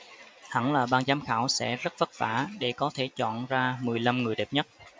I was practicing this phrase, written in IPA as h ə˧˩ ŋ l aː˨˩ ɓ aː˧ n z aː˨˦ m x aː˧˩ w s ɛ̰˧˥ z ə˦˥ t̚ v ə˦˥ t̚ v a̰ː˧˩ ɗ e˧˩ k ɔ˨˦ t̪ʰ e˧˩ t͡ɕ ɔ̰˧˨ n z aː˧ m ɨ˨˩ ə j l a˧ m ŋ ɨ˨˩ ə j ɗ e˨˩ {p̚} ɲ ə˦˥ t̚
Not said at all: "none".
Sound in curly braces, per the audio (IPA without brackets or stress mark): p̚